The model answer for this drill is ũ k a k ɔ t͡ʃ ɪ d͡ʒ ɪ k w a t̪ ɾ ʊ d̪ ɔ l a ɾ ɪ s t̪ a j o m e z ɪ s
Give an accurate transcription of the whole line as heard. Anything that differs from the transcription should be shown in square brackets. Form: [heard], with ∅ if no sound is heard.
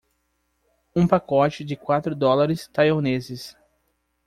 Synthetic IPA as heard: ũ [p] a k ɔ t͡ʃ ɪ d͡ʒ ɪ k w a t̪ ɾ ʊ d̪ ɔ l a ɾ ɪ s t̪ a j o [n] e z ɪ s

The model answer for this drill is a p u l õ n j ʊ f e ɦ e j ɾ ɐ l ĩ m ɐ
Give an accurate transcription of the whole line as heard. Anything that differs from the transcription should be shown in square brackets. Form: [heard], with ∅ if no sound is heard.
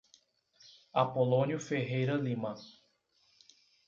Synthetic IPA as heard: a p [o] l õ n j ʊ f e ɦ e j ɾ ɐ l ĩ m ɐ

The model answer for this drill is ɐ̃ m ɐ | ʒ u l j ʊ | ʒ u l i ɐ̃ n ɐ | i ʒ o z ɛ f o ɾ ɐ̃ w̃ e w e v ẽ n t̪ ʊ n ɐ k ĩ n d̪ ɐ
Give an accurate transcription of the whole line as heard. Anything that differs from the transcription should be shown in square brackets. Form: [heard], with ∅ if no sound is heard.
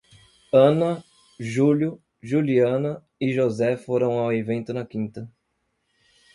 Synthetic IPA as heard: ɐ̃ [n] ɐ | ʒ u l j ʊ | ʒ u l i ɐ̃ n ɐ | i ʒ o z ɛ f o ɾ ɐ̃ w̃ [a] w e v ẽ n t̪ ʊ n ɐ k ĩ n [t̪] ɐ

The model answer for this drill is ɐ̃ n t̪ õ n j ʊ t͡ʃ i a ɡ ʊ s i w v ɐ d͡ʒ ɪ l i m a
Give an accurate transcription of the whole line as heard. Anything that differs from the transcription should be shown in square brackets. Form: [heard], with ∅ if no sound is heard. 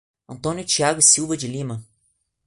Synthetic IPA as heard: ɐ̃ n t̪ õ n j ʊ t͡ʃ i a ɡ ʊ s i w v ɐ d͡ʒ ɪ l i m [ɐ]

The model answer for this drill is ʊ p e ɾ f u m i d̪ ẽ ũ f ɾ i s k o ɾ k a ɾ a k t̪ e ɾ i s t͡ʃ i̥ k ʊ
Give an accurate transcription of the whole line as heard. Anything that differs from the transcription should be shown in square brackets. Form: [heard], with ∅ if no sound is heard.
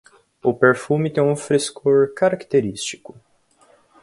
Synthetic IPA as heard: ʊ p e ɾ f u m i [t̪] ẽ ũ f ɾ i s k o ɾ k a ɾ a k t̪ e ɾ i s t͡ʃ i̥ k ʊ

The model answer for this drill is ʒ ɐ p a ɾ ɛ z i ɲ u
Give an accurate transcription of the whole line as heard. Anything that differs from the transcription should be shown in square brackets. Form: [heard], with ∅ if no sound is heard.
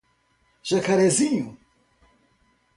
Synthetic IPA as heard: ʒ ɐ [k] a ɾ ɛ z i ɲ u

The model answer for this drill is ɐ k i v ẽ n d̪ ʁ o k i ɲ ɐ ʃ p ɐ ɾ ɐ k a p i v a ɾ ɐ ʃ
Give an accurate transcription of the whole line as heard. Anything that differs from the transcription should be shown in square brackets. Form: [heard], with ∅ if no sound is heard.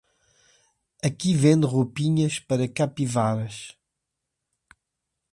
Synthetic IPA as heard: ɐ k i v ẽ n d̪ ʁ o [p] i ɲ ɐ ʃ p ɐ ɾ ɐ k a p i v a ɾ ɐ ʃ

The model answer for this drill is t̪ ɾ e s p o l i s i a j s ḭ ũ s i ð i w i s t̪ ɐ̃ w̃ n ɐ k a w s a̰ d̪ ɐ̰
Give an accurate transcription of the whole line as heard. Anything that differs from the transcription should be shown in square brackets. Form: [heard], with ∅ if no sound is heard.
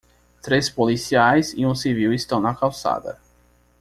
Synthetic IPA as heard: t̪ ɾ e s p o l i s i a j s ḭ ũ s i [v] i w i s t̪ ɐ̃ w̃ n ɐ k a w s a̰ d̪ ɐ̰

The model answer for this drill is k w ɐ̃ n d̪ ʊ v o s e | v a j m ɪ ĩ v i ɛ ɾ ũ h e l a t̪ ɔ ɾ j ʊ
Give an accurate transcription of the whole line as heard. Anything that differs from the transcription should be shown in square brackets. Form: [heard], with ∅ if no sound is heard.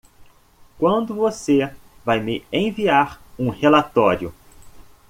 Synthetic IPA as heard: k w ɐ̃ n d̪ ʊ v o s e | v a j m ɪ [ẽ] v i [a] ɾ ũ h e l a t̪ ɔ ɾ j ʊ

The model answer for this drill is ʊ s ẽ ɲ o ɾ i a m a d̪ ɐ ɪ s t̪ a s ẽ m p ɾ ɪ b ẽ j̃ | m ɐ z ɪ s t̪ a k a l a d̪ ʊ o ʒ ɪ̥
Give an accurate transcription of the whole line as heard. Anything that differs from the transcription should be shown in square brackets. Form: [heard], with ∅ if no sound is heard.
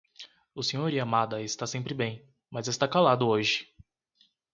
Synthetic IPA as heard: ʊ s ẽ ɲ o ɾ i a m a d̪ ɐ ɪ s t̪ a s ẽ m p ɾ ɪ b ẽ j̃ | m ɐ z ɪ s t̪ a k a l a d̪ ʊ o ʒ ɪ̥

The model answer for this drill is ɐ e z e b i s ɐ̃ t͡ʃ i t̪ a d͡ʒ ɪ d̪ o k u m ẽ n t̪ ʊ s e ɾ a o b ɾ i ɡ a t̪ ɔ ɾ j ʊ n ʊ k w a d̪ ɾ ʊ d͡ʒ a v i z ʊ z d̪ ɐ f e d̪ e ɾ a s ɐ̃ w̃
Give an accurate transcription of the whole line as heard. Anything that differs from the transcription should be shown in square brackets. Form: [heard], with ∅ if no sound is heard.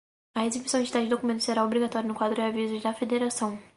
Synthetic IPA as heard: ɐ e z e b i s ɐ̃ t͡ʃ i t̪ a d͡ʒ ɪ d̪ o k u m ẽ n t̪ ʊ s e ɾ a o b ɾ i ɡ a t̪ ɔ ɾ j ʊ n ʊ k w a d̪ ɾ ʊ d͡ʒ a v i z ʊ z d̪ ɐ f e d̪ e ɾ a s ɐ̃ w̃

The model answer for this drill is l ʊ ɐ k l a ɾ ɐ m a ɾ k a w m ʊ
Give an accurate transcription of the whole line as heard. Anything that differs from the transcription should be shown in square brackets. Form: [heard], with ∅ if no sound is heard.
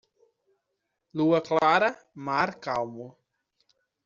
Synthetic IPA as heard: l [u] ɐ k l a ɾ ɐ m a ɾ k a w m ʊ

